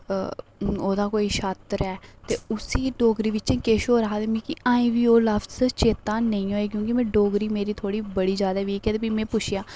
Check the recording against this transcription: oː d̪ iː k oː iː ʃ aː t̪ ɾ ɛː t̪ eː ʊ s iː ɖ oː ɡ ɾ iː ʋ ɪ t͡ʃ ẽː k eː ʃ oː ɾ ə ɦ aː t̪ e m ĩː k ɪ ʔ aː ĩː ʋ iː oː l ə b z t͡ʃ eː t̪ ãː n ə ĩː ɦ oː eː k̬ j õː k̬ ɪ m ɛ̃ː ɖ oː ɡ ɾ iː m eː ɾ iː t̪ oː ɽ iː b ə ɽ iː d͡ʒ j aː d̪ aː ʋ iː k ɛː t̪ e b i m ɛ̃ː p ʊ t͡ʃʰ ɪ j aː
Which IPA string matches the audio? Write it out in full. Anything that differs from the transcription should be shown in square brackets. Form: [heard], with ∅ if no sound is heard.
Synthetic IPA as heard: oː d̪ [aː] k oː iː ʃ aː t̪ ɾ ɛː t̪ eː ʊ s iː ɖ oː ɡ ɾ iː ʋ ɪ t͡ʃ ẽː k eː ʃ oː ɾ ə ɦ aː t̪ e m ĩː k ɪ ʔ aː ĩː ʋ iː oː l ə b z t͡ʃ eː t̪ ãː n ə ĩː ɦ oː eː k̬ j õː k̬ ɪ m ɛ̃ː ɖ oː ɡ ɾ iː m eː ɾ iː [t̪ʰ] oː ɽ iː b ə ɽ iː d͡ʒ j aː d̪ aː ʋ iː k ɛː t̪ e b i m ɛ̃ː p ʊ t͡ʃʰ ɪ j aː

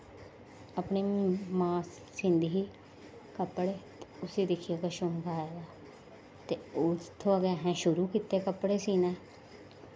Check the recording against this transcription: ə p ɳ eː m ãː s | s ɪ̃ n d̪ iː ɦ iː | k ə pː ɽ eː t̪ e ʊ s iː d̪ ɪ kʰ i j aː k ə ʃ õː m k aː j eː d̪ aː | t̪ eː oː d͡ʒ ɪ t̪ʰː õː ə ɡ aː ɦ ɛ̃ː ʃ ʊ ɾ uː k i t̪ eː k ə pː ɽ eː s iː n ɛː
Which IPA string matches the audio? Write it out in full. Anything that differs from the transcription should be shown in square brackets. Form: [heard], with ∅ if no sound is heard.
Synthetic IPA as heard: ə p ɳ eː m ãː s | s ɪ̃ n d̪ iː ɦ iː | k ə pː ɽ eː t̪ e ʊ s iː d̪ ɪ kʰ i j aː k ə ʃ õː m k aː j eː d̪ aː | t̪ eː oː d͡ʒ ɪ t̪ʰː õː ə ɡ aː ɦ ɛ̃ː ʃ ʊ ɾ uː k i t̪ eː k ə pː ɽ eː s iː n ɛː

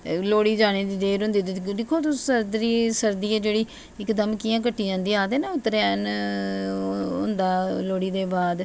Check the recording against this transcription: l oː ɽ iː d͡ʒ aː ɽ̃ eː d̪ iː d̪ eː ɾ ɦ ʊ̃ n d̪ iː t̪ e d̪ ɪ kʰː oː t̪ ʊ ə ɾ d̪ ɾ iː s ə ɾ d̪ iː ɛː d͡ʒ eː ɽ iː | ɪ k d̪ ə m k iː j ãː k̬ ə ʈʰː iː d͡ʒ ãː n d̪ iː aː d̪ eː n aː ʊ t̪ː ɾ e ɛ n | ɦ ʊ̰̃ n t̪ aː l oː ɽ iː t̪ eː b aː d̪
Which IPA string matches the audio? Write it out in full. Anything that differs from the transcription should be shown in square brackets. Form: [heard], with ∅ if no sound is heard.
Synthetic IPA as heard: l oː ɽ iː d͡ʒ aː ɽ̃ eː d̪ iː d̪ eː ɾ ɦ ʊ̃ n d̪ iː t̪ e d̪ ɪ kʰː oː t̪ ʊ ə ɾ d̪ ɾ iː s ə ɾ d̪ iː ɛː d͡ʒ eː ɽ iː | ɪ k d̪ ə m k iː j ãː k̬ ə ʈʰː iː d͡ʒ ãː n d̪ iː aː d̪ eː n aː ʊ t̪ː ɾ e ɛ n | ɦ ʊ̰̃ n [d̪] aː l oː ɽ iː [d̪] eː b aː d̪

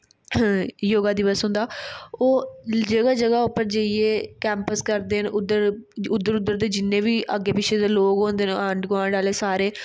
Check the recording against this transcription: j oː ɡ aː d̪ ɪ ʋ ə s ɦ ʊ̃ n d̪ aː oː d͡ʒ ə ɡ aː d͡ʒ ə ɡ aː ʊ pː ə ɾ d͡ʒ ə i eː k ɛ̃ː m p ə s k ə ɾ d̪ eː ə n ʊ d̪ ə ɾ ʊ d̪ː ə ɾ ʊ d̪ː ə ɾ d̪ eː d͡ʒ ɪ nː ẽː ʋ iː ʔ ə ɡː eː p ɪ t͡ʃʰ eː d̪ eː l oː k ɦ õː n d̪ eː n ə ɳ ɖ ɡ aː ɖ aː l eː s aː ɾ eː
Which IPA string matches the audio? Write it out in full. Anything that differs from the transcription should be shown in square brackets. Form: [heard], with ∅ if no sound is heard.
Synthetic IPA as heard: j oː ɡ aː d̪ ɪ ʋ ə s ɦ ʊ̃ n d̪ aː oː d͡ʒ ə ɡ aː d͡ʒ ə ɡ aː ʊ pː ə ɾ d͡ʒ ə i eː k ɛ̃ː m p ə s k ə ɾ d̪ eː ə n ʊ d̪ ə ɾ ʊ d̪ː ə ɾ ʊ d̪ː ə ɾ d̪ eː d͡ʒ ɪ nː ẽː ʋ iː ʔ ə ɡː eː p ɪ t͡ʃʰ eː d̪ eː l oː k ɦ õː n d̪ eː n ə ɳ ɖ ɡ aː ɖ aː l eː s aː ɾ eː

